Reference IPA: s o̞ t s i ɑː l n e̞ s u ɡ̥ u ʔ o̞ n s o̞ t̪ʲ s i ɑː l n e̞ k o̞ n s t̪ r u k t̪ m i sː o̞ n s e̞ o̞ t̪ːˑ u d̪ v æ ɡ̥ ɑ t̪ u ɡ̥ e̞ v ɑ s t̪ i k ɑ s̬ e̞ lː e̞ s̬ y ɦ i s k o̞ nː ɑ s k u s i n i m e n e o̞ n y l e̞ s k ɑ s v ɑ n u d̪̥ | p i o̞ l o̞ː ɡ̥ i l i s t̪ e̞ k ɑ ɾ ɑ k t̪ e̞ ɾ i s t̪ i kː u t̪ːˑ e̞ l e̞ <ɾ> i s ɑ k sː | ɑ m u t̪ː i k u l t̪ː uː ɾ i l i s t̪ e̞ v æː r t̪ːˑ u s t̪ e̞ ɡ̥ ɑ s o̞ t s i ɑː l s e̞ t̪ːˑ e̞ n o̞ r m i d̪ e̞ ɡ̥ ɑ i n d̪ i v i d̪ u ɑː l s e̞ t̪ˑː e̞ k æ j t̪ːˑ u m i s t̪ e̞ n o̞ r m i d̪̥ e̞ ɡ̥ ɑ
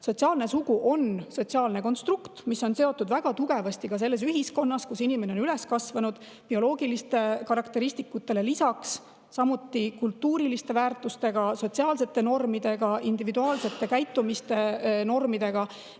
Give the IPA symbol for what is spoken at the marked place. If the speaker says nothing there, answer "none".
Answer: l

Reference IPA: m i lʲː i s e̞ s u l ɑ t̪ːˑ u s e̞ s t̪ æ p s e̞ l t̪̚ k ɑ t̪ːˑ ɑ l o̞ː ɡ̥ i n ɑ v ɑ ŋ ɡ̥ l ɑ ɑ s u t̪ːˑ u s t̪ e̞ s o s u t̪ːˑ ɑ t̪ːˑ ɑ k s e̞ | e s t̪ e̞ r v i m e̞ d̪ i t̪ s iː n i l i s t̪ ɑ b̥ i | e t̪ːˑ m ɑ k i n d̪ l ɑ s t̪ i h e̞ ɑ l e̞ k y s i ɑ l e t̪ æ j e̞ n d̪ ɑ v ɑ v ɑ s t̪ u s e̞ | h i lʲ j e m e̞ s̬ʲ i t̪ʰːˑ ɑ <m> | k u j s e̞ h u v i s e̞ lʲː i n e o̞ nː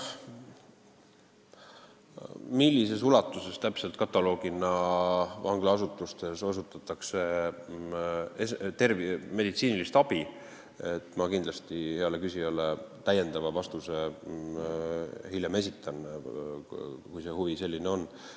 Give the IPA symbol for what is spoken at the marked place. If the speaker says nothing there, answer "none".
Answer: n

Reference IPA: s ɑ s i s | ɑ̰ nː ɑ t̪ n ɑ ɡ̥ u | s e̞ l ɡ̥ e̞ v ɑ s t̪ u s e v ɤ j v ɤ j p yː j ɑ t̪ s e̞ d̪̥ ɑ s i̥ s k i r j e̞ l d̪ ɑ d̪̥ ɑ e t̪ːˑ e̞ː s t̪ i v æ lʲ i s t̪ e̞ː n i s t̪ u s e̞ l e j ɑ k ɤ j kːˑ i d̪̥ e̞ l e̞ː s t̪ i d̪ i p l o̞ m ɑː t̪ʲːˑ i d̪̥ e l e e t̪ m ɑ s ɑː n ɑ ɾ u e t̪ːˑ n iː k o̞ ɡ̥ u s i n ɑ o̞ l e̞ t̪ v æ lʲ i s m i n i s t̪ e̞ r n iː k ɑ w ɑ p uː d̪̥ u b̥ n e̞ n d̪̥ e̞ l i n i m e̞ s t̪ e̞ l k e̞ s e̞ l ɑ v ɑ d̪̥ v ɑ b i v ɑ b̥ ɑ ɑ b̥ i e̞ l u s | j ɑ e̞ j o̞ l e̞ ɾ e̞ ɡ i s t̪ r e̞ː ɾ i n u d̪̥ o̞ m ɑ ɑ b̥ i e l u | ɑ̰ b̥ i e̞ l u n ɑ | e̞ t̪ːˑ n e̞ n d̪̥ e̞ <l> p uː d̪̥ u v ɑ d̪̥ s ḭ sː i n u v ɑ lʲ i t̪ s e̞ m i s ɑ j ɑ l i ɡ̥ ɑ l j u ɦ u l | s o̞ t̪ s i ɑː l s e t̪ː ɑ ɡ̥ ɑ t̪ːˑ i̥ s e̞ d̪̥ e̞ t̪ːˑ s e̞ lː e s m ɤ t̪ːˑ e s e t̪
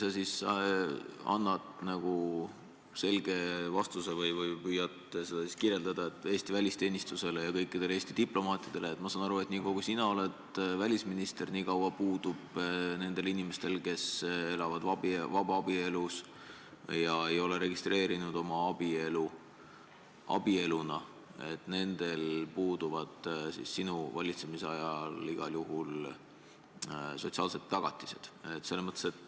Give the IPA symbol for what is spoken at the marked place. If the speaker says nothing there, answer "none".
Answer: l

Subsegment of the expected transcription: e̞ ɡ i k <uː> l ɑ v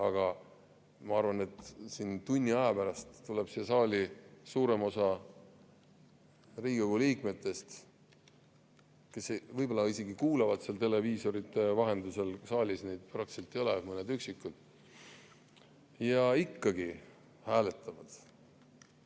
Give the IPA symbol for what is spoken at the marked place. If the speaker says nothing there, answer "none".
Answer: uː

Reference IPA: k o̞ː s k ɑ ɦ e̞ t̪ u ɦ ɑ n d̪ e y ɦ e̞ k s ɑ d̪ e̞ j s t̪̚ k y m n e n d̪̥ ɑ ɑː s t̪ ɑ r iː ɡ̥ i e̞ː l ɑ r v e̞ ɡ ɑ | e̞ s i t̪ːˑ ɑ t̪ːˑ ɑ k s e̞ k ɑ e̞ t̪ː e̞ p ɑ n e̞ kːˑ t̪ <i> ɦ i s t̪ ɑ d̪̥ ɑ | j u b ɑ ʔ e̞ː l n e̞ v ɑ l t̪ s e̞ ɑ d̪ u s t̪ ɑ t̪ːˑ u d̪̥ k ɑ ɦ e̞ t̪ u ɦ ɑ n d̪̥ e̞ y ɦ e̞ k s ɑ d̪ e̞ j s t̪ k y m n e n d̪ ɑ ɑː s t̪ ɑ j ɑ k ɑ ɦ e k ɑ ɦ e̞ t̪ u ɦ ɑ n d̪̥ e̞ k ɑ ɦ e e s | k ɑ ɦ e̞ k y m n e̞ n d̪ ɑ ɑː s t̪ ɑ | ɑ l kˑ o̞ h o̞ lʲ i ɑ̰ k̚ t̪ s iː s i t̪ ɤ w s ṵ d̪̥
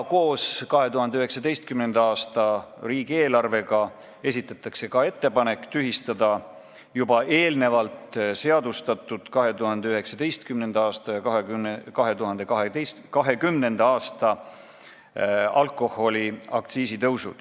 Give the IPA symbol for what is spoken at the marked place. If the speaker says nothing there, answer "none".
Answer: y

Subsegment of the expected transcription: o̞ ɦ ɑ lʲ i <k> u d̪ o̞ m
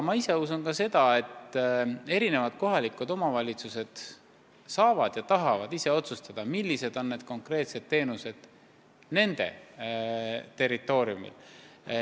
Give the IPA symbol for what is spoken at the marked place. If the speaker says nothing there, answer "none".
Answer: k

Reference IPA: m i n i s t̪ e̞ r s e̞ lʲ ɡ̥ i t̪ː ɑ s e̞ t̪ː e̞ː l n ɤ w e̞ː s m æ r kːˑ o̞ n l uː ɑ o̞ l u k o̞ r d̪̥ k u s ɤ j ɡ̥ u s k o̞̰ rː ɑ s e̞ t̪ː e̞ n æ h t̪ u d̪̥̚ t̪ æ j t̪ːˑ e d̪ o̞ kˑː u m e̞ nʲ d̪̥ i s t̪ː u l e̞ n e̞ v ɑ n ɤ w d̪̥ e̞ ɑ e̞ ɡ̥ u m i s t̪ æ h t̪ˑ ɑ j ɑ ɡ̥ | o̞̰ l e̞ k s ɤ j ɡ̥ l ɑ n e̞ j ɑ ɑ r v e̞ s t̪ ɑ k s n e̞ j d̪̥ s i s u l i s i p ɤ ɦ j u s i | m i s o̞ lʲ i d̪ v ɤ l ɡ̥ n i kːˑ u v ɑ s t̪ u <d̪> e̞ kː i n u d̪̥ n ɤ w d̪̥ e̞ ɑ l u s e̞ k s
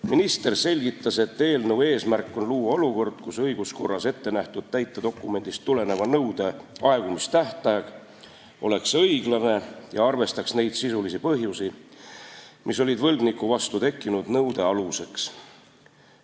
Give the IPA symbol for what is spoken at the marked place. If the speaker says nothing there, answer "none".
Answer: t̪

